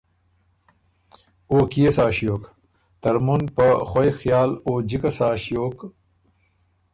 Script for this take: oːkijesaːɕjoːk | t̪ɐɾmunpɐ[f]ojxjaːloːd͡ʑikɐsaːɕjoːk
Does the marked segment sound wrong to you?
yes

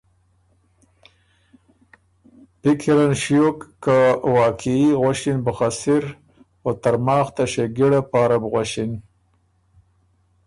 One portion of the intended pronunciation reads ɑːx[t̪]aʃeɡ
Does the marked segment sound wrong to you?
no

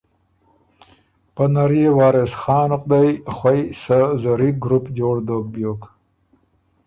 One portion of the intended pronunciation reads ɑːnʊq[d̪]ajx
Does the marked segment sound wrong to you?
no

